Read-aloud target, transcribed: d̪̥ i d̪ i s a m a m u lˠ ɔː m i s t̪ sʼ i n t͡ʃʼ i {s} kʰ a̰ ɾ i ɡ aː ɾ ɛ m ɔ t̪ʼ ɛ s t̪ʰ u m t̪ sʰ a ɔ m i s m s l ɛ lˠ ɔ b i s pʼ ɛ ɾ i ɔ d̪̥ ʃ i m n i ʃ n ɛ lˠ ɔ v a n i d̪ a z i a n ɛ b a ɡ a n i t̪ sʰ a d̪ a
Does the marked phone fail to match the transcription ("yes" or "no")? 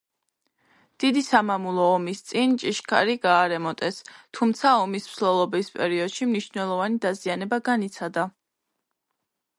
yes